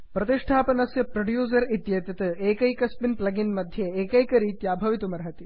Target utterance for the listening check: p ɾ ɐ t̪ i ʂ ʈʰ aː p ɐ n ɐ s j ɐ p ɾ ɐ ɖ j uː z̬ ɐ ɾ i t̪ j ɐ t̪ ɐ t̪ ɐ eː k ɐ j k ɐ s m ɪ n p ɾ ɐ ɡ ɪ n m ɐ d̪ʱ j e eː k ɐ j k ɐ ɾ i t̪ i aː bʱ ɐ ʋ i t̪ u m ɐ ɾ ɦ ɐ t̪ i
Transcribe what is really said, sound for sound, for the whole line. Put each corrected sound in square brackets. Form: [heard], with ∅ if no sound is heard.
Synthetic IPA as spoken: p ɾ ɐ t̪ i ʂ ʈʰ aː p ɐ n ɐ s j ɐ p ɾ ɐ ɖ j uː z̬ ɐ ɾ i t̪ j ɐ t̪ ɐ t̪ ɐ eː k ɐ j k ɐ s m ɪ n p [l] ɐ ɡ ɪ n m ɐ d̪ʱ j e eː k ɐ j k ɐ ɾ i t̪ [j] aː bʱ ɐ ʋ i t̪ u m ɐ ɾ ɦ ɐ t̪ i